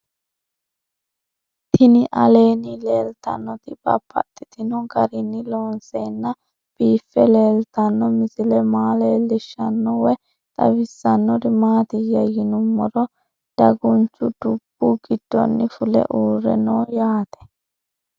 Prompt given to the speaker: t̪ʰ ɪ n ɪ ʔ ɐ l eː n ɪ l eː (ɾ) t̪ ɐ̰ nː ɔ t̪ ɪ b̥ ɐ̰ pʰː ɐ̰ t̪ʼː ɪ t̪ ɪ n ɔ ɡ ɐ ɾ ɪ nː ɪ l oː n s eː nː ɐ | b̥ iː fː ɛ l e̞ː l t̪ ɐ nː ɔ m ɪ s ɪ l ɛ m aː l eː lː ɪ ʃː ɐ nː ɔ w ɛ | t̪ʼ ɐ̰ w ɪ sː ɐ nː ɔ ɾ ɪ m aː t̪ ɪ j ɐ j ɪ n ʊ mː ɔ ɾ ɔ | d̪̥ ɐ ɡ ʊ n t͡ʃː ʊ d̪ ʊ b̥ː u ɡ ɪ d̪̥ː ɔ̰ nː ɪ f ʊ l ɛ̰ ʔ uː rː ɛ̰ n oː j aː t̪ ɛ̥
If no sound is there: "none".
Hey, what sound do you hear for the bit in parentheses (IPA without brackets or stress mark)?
l